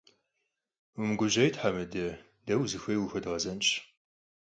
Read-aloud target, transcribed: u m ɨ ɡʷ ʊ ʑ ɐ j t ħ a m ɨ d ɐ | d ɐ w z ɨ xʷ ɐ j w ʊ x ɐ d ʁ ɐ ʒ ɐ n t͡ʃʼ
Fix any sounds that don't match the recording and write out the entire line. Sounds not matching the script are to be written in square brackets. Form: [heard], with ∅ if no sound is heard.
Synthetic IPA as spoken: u m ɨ ɡʷ ʊ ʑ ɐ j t ħ a m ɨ d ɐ | d ɐ w z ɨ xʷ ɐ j w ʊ x ɐ d ʁ ɐ [z] ɐ n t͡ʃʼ